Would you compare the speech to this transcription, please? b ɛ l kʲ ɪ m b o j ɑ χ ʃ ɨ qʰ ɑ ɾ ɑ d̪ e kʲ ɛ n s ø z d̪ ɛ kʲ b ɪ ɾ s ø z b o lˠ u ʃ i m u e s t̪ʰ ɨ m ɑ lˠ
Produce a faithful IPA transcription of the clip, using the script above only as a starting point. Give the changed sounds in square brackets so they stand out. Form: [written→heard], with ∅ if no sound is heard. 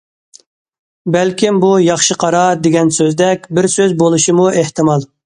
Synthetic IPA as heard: b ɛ l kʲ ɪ m b [o→u] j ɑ χ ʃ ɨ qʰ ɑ ɾ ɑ d̪ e [kʲ→ɡʲ] ɛ n s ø z d̪ ɛ kʲ b ɪ ɾ s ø z b o lˠ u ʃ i m u e [s→h] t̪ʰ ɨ m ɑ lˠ